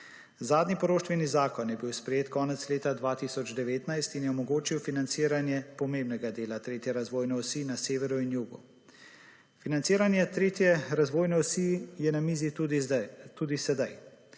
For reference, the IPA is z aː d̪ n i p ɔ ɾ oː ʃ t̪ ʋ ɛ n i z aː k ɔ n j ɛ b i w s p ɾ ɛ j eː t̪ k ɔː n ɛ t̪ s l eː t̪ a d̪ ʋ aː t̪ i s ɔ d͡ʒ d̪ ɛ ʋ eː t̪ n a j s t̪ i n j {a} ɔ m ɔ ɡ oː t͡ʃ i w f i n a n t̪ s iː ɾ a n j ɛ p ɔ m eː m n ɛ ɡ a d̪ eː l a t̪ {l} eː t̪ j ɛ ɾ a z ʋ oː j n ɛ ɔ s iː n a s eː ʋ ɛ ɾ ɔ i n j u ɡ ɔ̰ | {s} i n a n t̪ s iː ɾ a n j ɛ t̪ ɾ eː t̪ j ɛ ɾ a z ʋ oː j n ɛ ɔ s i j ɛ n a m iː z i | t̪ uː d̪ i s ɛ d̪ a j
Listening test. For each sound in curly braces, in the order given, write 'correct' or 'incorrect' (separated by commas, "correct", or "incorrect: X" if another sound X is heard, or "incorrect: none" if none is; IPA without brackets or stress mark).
incorrect: ɛ, incorrect: ɾ, incorrect: f